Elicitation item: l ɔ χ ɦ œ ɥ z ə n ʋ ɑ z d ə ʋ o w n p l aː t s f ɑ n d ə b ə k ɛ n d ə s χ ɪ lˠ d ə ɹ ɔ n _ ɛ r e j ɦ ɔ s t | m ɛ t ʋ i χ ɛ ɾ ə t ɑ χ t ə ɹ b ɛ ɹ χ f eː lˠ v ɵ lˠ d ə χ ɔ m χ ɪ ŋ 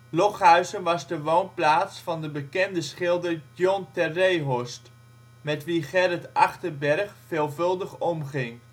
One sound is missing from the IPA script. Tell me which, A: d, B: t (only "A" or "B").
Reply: B